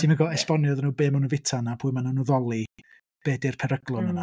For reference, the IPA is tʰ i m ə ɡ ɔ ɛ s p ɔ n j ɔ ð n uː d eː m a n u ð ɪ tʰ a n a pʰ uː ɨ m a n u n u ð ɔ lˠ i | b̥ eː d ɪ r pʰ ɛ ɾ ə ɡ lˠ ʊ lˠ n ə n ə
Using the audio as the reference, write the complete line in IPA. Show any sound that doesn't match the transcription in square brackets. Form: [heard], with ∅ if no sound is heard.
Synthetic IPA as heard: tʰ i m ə ɡ ɔ ɛ s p ɔ n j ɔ ð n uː [b] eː m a n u [v] ɪ tʰ a n a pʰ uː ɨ m a n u n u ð ɔ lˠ i | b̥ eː d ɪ r pʰ ɛ ɾ ə ɡ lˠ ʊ [∅] n ə n [a]